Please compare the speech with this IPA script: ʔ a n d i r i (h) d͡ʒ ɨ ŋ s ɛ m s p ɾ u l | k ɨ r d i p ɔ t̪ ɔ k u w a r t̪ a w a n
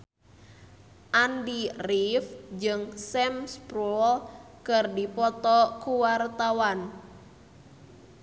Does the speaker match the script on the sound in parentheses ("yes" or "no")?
no